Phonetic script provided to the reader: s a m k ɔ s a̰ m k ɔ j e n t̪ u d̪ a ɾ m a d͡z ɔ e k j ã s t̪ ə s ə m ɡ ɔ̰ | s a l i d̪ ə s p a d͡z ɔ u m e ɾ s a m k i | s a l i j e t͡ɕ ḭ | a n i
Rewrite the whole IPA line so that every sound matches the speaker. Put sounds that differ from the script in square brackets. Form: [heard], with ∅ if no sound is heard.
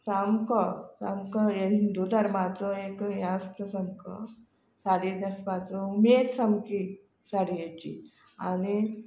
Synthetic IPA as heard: s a m k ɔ s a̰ m k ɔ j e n [d̪] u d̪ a ɾ m a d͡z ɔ e k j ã s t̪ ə s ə m [k] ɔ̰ | s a [ɽ] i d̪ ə s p a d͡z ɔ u m e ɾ s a m k i | s a [ɽ] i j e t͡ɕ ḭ | a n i